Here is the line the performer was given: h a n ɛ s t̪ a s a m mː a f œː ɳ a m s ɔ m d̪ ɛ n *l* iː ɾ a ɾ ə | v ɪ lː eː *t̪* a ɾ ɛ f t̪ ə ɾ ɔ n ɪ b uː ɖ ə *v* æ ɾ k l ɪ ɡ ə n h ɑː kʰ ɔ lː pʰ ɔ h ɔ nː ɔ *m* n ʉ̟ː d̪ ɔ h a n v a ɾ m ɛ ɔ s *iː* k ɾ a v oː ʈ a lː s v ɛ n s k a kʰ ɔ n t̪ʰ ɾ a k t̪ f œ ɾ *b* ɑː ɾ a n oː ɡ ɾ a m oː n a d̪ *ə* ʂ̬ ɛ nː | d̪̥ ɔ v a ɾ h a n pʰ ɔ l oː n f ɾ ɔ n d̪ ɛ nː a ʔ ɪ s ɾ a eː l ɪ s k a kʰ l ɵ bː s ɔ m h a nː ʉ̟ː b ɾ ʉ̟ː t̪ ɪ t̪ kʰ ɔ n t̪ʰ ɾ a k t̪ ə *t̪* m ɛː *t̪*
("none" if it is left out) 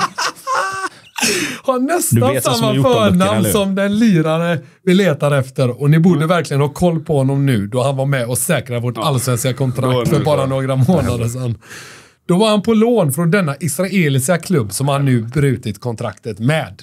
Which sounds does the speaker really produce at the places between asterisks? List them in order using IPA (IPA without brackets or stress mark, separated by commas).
l, t̪, v, m, ɛː, b, ə, t̪, d̪